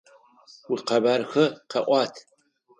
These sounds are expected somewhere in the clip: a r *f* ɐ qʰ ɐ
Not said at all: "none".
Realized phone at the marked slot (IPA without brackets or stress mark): x